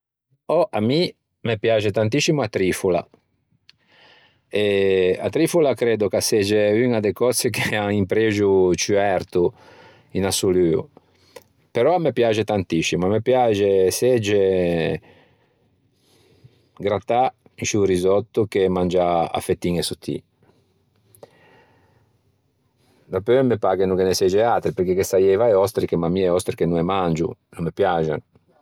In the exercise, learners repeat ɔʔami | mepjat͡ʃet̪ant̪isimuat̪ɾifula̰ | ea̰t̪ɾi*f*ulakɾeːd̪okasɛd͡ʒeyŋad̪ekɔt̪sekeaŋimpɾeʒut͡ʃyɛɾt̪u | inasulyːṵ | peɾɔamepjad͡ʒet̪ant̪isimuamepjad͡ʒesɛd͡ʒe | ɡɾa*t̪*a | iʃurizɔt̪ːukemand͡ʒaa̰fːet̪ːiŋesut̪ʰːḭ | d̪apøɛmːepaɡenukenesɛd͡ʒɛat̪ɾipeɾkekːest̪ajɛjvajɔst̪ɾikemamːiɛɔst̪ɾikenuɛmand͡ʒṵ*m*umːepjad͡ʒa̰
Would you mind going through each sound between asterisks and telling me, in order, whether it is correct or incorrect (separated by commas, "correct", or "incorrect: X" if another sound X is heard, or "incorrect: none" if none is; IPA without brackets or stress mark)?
correct, correct, incorrect: n